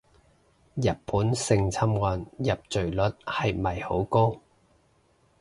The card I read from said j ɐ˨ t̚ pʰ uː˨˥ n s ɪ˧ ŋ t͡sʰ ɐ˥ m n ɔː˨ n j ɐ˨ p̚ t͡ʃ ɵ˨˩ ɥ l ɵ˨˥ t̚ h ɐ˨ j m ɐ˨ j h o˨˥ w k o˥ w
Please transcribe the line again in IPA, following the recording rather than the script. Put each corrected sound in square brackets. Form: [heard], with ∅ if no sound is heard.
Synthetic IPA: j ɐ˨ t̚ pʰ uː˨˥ n s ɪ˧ ŋ t͡sʰ ɐ˥ m [ŋ] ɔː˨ n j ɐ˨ p̚ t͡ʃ ɵ˨˩ ɥ l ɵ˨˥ t̚ h ɐ˨ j m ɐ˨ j h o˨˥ w k o˥ w